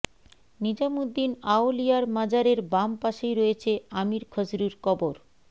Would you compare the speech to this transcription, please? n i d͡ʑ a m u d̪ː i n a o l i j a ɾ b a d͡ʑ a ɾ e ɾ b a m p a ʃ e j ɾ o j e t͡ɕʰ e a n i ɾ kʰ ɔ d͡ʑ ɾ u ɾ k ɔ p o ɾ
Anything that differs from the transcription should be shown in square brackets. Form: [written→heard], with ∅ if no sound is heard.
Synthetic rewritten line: n i d͡ʑ a m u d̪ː i n a o l i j a ɾ [b→m] a d͡ʑ a ɾ e ɾ b a m p a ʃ e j ɾ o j e t͡ɕʰ e a [n→m] i ɾ kʰ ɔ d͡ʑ ɾ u ɾ k ɔ [p→b] o ɾ

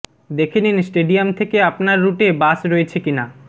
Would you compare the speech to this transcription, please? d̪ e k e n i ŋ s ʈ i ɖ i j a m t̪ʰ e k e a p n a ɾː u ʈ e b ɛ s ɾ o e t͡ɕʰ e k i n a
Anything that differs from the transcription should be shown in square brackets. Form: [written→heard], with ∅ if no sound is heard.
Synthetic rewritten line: d̪ e [k→kʰ] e n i [ŋ→n] s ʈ [i→e] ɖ i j a m t̪ʰ e k e a p n a ɾː u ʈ e b [ɛ→a] s ɾ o e t͡ɕʰ e k i n a

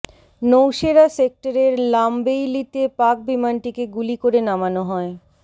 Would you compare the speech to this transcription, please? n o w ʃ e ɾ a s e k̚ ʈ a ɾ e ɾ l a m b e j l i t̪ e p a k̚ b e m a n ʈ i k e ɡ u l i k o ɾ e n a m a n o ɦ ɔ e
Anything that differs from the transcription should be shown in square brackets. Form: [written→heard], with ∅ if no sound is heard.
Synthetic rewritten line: n o w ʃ e ɾ a s e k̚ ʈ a ɾ e ɾ l a m b e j l i t̪ e p a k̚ b [e→i] m a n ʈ i k e ɡ u l i k o ɾ e n a m a n o ɦ ɔ e

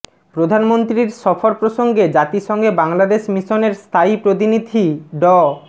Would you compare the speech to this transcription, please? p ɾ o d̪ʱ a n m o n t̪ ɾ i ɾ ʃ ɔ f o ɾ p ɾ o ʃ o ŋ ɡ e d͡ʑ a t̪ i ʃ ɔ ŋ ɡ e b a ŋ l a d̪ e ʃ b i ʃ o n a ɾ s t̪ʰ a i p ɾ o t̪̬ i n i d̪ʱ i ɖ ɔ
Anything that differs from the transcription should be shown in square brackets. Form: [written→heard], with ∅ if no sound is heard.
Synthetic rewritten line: p ɾ o d̪ʱ a n m o n t̪ ɾ i ɾ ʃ ɔ f o ɾ p ɾ o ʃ o ŋ ɡ e d͡ʑ a t̪ i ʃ ɔ ŋ ɡ e b a ŋ l a d̪ e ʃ [b→m] i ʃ o n [a→e] ɾ s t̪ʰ a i p ɾ o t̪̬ i n i d̪ʱ i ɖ ɔ

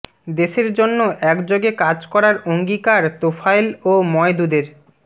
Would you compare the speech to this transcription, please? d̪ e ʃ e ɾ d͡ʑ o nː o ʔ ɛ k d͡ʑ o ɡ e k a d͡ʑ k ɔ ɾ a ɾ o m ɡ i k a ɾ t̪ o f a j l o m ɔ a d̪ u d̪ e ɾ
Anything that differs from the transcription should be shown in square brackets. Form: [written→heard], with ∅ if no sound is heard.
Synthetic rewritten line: d̪ e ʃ e ɾ d͡ʑ o nː o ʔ ɛ k d͡ʑ o ɡ e k a d͡ʑ k ɔ ɾ a ɾ o [m→ŋ] ɡ i k a ɾ t̪ o f a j l o m ɔ [a→e] d̪ u d̪ e ɾ

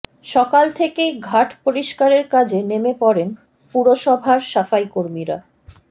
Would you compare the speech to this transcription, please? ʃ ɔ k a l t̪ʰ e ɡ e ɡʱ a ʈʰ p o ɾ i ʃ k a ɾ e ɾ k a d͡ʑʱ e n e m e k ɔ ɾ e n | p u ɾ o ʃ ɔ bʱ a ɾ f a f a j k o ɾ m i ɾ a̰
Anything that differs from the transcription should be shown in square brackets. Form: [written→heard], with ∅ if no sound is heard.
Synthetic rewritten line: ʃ ɔ k a l t̪ʰ e [ɡ→k] e ɡʱ a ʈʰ p o ɾ i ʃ k a ɾ e ɾ k a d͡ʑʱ e n e m e [k→p] ɔ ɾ e n | p u ɾ o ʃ ɔ bʱ a ɾ [f→ʃ] a f a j k o ɾ m i ɾ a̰

